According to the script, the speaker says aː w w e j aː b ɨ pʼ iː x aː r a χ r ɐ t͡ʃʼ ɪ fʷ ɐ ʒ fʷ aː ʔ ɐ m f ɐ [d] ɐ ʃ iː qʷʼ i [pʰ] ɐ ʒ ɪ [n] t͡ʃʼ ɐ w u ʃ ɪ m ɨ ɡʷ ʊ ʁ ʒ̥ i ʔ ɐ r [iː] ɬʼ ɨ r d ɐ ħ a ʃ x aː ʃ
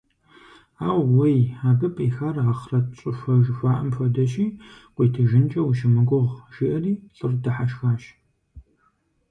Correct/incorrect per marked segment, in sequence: correct, incorrect: tʰ, correct, correct

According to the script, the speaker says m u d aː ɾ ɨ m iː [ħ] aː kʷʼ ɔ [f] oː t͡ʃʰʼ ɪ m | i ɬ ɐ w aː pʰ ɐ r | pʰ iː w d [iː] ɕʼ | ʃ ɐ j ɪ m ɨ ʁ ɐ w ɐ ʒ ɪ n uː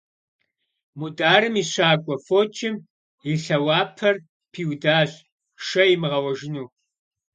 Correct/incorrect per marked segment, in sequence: incorrect: ɕ, correct, incorrect: aː

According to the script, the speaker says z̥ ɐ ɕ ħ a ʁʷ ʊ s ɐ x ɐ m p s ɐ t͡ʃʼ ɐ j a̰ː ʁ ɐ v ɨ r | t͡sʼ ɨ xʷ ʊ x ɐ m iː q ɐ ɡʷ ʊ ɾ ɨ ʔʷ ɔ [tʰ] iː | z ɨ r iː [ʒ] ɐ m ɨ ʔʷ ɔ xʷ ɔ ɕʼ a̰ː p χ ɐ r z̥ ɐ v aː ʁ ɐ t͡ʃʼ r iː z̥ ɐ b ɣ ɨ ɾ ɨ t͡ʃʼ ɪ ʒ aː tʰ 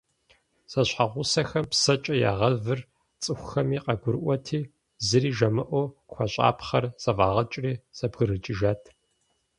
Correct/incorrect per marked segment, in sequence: correct, correct

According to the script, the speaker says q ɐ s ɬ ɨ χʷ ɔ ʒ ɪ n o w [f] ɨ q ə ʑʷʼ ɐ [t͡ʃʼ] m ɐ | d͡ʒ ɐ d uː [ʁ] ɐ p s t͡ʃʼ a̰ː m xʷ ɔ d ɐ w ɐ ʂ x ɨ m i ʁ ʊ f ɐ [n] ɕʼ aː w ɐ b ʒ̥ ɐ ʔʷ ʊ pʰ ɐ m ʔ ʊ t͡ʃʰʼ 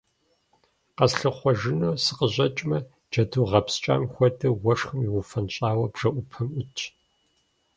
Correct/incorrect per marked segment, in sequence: incorrect: s, correct, correct, correct

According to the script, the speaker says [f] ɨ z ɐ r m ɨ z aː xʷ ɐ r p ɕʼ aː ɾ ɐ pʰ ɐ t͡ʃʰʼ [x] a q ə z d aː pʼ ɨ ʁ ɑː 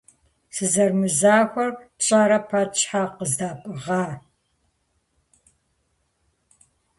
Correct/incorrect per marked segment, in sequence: incorrect: s, incorrect: ħ

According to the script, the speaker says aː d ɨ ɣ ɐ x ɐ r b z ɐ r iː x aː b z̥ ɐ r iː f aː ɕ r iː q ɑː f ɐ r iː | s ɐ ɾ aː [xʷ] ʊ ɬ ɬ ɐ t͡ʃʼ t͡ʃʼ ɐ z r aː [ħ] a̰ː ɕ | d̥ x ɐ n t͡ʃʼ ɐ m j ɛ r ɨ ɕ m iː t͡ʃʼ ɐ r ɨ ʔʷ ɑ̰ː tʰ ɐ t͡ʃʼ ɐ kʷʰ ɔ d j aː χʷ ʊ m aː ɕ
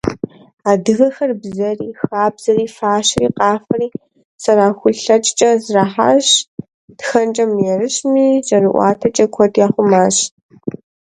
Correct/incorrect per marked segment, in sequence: correct, correct

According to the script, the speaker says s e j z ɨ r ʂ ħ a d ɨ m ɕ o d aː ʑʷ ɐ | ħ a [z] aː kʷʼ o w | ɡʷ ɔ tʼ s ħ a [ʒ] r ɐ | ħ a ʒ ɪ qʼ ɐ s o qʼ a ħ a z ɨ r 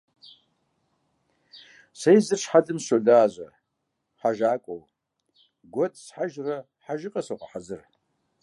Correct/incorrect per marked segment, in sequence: incorrect: ʒ, correct

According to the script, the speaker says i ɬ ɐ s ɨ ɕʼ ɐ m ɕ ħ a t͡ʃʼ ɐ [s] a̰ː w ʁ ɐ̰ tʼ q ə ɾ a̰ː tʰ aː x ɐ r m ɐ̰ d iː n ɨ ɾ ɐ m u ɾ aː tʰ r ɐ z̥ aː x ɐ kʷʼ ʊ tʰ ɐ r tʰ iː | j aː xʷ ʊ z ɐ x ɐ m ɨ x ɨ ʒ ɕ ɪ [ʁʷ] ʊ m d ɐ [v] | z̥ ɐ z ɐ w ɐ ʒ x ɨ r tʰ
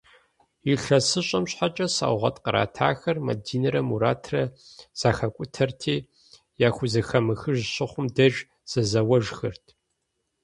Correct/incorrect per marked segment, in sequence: correct, incorrect: χʷ, incorrect: ʒ

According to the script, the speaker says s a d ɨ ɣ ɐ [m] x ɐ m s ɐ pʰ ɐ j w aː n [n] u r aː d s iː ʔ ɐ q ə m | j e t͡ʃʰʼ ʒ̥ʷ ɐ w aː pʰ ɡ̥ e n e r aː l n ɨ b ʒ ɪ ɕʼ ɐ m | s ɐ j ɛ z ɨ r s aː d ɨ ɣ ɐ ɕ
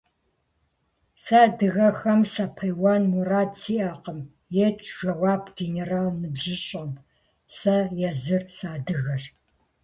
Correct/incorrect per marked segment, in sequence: incorrect: none, incorrect: m

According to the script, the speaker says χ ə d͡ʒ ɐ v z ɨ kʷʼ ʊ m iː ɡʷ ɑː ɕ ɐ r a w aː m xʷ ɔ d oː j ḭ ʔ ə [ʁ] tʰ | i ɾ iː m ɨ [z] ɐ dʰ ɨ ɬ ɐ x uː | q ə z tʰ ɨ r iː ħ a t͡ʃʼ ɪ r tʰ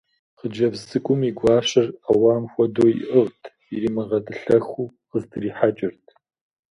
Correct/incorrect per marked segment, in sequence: correct, incorrect: ʁ

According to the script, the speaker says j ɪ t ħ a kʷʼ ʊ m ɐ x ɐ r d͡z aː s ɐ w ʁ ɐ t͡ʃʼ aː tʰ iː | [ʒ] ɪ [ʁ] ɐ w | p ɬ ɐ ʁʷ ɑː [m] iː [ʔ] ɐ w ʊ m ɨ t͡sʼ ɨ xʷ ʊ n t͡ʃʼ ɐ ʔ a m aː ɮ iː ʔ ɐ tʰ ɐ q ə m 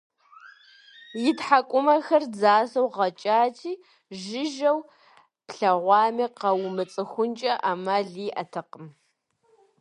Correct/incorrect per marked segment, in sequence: correct, incorrect: ʒ, correct, incorrect: q

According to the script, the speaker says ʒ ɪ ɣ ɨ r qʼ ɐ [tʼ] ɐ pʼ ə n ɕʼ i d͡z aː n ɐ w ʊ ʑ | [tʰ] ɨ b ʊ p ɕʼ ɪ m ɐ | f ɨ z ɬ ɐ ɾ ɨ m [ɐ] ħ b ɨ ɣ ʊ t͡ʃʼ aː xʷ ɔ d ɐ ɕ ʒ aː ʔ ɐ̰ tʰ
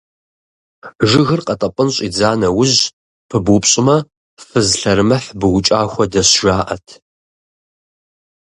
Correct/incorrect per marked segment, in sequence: correct, incorrect: pʰ, correct

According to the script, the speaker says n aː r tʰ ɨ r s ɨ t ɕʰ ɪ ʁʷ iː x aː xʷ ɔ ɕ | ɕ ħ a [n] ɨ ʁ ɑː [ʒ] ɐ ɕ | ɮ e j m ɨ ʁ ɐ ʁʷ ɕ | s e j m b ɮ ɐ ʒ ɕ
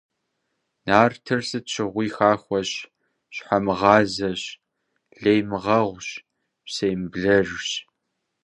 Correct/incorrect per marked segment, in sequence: incorrect: m, incorrect: z

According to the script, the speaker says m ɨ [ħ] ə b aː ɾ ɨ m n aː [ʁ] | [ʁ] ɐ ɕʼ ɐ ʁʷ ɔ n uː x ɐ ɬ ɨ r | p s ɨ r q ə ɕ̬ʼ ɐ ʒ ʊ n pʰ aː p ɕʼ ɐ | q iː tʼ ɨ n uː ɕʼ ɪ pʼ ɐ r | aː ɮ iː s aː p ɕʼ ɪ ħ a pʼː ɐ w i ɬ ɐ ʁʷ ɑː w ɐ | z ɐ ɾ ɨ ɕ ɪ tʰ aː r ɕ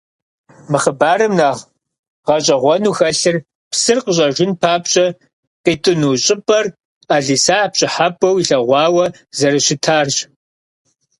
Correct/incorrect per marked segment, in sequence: incorrect: χ, correct, correct

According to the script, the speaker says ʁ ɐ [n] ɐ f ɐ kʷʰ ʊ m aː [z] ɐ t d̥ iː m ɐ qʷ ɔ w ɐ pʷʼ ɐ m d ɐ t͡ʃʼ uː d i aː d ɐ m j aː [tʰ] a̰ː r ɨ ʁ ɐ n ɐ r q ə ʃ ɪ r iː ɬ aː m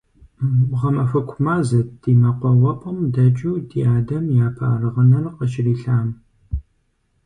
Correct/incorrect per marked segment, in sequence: incorrect: m, correct, incorrect: pʰ

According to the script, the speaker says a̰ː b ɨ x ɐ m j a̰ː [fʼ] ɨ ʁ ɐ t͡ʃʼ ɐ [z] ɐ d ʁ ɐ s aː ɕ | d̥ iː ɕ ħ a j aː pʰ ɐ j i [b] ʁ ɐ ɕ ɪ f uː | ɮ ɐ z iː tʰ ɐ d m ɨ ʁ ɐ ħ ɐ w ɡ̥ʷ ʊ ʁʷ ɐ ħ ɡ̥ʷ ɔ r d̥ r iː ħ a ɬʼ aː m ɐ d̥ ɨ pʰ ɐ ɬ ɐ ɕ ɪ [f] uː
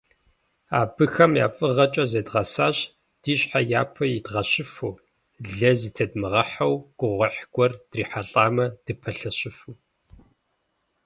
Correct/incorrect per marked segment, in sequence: correct, correct, incorrect: d, correct

